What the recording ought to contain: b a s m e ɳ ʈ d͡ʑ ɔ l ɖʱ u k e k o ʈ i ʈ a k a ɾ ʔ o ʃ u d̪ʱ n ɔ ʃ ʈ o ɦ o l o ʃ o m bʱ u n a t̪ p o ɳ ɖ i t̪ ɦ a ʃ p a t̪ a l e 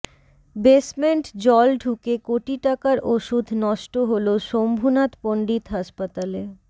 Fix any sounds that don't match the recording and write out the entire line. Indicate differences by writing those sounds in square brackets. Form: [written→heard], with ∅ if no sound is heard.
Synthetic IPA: b [a→e] s m e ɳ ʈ d͡ʑ ɔ l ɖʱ u k e k o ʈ i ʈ a k a ɾ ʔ o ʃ u d̪ʱ n ɔ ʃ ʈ o ɦ o l o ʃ o m bʱ u n a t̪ p o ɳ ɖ i t̪ ɦ a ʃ p a t̪ a l e